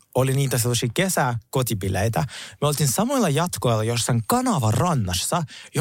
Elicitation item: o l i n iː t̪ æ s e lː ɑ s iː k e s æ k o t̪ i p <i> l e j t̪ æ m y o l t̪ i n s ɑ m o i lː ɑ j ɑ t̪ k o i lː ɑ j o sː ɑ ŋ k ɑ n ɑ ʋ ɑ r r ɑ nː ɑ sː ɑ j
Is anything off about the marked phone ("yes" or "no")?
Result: no